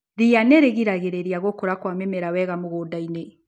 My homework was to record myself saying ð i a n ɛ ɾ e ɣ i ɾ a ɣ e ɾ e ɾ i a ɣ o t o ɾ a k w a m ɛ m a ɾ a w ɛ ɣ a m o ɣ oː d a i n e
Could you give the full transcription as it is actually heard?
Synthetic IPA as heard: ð i a n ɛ ɾ e ɣ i ɾ a ɣ e ɾ e ɾ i a ɣ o k o ɾ a k w a m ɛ m ɛ ɾ a w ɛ ɣ a m o ɣ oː d a i n e